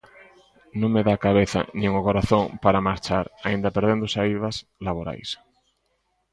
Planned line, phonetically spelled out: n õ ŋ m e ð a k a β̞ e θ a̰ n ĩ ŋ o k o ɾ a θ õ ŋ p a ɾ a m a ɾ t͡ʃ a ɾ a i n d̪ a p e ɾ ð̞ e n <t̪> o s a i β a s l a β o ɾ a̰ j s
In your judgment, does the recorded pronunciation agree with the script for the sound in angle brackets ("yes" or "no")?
no